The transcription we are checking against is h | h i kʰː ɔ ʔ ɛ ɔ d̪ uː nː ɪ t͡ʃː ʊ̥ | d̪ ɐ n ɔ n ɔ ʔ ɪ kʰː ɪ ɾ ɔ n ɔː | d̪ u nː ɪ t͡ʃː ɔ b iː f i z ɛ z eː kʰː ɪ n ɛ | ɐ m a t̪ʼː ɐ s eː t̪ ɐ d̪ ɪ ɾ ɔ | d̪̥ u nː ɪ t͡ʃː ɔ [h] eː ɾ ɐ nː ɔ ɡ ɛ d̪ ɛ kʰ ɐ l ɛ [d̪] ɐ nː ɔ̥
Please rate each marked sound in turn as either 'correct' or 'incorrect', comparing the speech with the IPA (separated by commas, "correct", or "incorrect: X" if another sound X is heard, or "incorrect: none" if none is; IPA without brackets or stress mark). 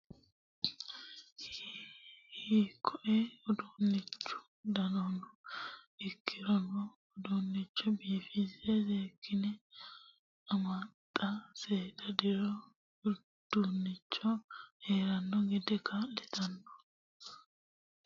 correct, incorrect: t̪